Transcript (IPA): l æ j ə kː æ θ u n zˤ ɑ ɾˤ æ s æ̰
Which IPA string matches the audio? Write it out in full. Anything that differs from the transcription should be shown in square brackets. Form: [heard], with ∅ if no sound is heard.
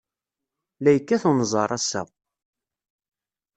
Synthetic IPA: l æ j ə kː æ θ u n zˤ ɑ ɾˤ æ s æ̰